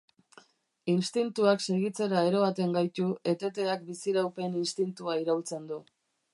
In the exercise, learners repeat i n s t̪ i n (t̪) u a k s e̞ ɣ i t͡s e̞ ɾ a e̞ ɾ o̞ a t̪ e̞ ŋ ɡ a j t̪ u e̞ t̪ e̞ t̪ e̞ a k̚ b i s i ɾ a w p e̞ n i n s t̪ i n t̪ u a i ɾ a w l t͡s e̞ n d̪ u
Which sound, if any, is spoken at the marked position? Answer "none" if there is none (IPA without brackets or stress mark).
t̪